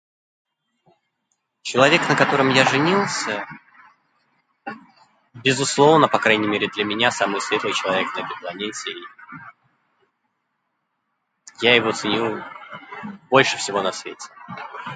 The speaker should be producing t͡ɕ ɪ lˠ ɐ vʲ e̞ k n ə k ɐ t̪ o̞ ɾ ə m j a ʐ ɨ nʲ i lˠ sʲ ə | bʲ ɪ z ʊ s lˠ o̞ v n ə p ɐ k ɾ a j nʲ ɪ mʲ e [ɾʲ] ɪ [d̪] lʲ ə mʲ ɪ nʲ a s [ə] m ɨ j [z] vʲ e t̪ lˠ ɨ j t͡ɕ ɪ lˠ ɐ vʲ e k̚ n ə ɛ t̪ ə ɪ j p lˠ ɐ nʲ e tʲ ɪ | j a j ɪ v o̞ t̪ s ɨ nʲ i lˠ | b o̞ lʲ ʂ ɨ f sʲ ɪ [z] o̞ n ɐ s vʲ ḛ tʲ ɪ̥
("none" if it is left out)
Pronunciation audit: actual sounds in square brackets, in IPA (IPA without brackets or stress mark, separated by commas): ɾʲ, d̪, a, s, v